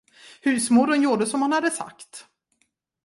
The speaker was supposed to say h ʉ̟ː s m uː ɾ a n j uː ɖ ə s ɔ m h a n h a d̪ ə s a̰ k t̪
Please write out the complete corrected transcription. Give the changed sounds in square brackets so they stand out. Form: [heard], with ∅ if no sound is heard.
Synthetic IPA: h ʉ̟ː s m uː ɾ [ə] n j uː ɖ ə s ɔ m h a n h a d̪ ə s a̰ k t̪